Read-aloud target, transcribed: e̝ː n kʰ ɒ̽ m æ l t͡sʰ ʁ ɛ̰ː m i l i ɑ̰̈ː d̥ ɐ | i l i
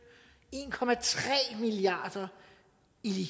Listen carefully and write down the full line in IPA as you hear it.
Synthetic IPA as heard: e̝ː n kʰ ɒ̽ m æ t͡sʰ ʁ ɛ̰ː m i l i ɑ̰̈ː d̥ ɐ | i l i